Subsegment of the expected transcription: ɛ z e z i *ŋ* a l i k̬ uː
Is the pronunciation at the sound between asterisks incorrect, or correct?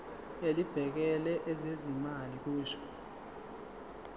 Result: incorrect